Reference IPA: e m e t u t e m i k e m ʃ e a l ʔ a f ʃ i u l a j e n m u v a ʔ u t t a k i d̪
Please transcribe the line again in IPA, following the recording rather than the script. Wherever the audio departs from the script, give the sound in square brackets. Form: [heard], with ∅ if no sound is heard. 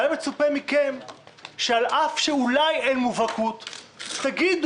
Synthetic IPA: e m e [t͡s] u [p] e m i k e m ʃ e a l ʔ a f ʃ [e] u l a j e n m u v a [k] u t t a [ɡ] i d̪

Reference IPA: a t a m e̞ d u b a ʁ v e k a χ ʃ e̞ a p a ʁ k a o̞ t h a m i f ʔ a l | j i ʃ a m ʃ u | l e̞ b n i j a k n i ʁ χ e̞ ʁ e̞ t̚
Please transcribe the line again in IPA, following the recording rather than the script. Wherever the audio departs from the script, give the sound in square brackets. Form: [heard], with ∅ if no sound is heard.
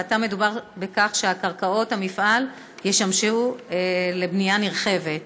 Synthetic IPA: a t a m e̞ d u b a ʁ [b] e k a χ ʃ e̞ a [k] a ʁ k a o̞ t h a m i f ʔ a l | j [e] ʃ a m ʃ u | l e̞ b n i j a [∅] n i ʁ χ e̞ [v] e̞ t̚

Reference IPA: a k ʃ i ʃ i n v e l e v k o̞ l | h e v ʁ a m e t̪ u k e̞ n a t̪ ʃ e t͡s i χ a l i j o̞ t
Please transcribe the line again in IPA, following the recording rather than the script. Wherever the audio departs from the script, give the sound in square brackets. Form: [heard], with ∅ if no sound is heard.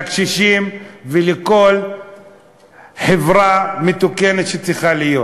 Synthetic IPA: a k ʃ i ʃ i [m] v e l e [∅] k o̞ l | [ħ] e v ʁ a m e t̪ u k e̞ n [e] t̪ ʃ e t͡s i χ a l i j o̞ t

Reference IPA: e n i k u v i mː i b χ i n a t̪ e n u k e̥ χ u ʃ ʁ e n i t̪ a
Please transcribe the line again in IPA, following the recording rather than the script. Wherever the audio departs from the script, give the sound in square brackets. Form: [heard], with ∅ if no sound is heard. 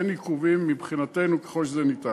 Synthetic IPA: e n i k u v i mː i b χ i n a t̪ e n u k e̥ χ [o] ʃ [z] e n i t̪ a

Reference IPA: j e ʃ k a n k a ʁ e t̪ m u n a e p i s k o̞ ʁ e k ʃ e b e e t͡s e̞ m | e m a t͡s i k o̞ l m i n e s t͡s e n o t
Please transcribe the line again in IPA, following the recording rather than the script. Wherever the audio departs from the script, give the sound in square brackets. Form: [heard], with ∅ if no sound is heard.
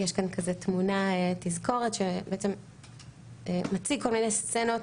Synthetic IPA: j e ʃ k a n k a [z] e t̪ m u n a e [t] i [z] k o̞ ʁ e [t] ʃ e b e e t͡s e̞ m | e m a t͡s i k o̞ l m i n e s t͡s e n o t

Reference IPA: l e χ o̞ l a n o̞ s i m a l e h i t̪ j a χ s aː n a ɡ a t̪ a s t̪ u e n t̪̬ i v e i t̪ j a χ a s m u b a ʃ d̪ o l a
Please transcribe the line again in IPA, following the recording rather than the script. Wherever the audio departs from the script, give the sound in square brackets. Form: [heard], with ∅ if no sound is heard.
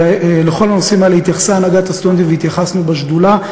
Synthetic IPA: l e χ o̞ l a n o̞ s i m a l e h i t̪ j a χ s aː n a ɡ a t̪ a s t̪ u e n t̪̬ i v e i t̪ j a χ a s [n] u b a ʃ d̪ [u] l a

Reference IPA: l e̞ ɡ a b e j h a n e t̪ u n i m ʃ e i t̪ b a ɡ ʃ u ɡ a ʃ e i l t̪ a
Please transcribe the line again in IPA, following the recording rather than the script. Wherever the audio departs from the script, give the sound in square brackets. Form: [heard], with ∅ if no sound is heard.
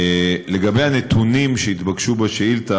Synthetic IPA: l e̞ ɡ a b e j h a n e t̪ u n i m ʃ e i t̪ b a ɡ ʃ u [b] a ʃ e i l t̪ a

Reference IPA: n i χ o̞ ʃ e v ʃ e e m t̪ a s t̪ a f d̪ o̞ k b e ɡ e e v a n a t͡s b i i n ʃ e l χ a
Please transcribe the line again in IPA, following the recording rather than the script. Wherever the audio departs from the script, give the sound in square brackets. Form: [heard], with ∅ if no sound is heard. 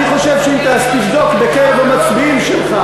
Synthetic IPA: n i χ o̞ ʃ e v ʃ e [i] m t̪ a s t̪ [i] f d̪ o̞ k b e [k] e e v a [m] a t͡s b i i [m] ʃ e l χ a

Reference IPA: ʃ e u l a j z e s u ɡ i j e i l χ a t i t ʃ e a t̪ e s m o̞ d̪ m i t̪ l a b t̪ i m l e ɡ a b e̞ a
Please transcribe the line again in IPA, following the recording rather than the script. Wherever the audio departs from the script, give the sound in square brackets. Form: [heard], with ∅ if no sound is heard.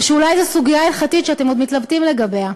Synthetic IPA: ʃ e u l a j z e s u ɡ i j [a] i l χ a t i t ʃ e a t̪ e [∅] m o̞ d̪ m i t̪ l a b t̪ i m l e ɡ a b e̞ a

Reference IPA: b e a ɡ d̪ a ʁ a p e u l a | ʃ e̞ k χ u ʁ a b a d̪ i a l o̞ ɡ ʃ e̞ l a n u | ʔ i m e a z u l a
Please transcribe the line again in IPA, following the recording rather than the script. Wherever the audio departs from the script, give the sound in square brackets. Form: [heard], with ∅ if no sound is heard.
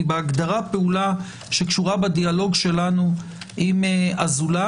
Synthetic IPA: b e a ɡ d̪ a ʁ a p e u l a | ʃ e̞ k [ʃ] u ʁ a b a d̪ i a l o̞ ɡ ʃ e̞ l a n u | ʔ i m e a z u l a

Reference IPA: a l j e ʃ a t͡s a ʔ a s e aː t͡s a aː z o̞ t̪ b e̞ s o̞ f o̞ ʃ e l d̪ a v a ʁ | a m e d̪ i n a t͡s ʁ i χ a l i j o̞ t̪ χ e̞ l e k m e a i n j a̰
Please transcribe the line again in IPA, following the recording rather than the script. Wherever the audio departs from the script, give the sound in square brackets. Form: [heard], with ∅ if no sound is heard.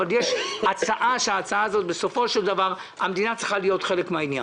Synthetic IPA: a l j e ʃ a t͡s a ʔ a [ʃ] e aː t͡s a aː z o̞ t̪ b e̞ s o̞ f o̞ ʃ e l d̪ a v a ʁ | a m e d̪ i n a t͡s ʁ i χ a l i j o̞ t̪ χ e̞ l e k m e a i n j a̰

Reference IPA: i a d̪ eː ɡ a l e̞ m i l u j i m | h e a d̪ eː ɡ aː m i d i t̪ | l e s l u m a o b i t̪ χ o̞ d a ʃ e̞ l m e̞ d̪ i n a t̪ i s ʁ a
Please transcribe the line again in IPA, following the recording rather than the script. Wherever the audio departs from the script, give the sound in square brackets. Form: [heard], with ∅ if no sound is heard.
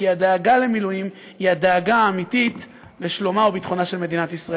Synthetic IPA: i a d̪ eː ɡ a l e̞ m i l u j i m | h [i] a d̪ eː ɡ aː m i [t] i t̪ | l e [ʃ] l [o] m a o b i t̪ χ o̞ [n] a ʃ e̞ l m e̞ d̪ i n a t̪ i s ʁ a

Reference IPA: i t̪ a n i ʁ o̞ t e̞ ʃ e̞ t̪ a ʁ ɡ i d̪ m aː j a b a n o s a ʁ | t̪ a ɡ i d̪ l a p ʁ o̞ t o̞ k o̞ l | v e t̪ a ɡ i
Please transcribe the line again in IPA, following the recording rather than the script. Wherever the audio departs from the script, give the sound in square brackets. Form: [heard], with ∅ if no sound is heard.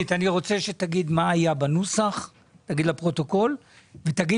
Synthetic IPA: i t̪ a n i ʁ o̞ [t͡s] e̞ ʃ e̞ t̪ a [∅] ɡ i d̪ m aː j a b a n [u] s a [χ] | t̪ a ɡ i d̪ l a p ʁ o̞ t o̞ k o̞ l | v e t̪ a ɡ i

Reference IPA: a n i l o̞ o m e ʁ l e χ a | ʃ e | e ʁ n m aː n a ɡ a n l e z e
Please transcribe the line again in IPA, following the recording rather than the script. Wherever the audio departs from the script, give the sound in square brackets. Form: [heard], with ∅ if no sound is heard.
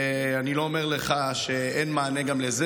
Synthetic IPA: a n i l o̞ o m e ʁ l e χ a | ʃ e | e [∅] n m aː n [e] ɡ a [m] l e z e

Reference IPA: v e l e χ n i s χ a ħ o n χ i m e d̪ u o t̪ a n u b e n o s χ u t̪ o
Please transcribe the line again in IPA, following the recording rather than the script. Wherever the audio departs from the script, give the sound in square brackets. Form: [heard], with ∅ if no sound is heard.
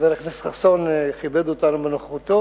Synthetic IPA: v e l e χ n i s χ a [s] o n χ i [b] e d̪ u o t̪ a n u b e n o [χ] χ u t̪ o

